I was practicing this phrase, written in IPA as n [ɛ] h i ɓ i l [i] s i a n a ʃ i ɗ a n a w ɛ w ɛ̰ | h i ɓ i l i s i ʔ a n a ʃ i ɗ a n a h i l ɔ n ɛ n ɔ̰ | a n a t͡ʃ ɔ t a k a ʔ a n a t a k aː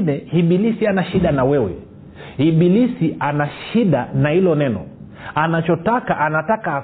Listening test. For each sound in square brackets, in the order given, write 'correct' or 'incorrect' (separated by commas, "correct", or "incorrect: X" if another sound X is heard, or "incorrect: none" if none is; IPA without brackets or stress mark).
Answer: correct, correct